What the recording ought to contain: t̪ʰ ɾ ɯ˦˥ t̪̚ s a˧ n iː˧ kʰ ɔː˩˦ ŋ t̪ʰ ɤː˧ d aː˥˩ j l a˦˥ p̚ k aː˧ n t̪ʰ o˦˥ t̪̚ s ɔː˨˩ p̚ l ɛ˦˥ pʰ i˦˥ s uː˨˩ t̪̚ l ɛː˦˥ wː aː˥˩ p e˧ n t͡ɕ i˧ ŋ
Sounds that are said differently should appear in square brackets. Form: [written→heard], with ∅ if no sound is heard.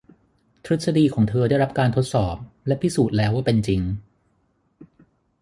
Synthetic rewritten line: t̪ʰ ɾ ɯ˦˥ t̪̚ s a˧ [n→d] iː˧ kʰ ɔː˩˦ ŋ t̪ʰ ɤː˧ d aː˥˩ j [l→ɾ] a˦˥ p̚ k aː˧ n t̪ʰ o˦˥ t̪̚ s ɔː˨˩ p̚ l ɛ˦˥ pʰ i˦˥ s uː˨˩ t̪̚ l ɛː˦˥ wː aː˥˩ p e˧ n t͡ɕ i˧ ŋ